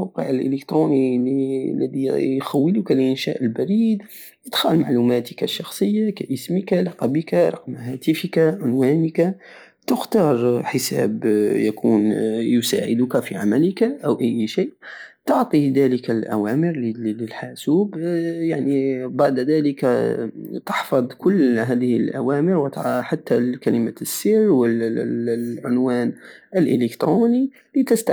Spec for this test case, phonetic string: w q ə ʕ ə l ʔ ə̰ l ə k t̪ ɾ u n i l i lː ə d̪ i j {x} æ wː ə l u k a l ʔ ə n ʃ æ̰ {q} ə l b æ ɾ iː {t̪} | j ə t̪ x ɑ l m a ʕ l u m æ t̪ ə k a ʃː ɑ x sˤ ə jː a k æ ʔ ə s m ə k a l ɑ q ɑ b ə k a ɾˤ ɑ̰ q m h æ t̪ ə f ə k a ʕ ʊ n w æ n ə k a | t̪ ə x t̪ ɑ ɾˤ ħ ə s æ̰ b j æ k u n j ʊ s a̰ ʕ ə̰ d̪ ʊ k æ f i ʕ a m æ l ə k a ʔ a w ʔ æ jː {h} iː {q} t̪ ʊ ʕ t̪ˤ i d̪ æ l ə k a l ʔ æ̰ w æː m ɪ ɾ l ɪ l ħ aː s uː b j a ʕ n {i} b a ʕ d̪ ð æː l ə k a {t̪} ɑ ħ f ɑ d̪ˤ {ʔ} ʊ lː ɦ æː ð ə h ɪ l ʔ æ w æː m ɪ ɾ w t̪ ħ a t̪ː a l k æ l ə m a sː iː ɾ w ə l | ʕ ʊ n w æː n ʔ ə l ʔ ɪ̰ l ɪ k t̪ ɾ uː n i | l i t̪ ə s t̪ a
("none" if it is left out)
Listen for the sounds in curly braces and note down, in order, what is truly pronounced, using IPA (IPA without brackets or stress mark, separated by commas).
x, ʔ, d̪, ʃ, ʔ, i, t̪, k